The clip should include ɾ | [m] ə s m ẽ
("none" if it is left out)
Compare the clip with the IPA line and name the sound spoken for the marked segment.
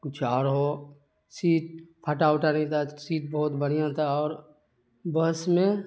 b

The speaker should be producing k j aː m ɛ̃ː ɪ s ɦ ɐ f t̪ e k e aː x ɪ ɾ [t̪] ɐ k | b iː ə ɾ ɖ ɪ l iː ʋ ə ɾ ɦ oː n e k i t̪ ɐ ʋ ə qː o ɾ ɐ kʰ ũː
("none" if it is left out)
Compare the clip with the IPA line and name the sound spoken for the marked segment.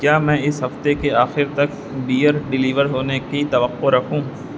t̪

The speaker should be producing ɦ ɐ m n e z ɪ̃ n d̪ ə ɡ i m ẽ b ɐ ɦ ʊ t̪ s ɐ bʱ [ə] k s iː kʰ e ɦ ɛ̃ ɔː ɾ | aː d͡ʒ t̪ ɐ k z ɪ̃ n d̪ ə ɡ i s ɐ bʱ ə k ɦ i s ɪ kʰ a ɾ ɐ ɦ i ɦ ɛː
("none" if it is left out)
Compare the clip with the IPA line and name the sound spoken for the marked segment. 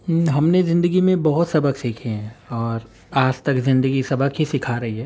ə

